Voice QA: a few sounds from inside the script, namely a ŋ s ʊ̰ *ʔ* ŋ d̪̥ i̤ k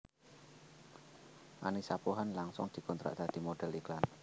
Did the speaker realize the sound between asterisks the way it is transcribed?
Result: no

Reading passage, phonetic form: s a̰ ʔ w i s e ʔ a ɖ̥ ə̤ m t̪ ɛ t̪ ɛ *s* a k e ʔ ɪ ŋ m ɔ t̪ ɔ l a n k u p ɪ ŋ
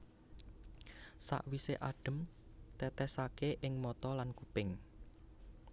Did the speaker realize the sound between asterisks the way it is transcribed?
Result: yes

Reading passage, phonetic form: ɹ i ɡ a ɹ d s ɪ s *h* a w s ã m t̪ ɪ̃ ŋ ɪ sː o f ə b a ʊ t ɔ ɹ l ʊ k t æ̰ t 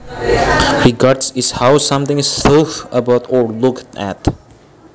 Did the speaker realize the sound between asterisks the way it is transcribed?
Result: yes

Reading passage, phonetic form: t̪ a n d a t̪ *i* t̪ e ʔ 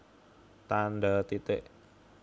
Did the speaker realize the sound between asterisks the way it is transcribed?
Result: yes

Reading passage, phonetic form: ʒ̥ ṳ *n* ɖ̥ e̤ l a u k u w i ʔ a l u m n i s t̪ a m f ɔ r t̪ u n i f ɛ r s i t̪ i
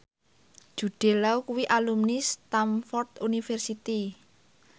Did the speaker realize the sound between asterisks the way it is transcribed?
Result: no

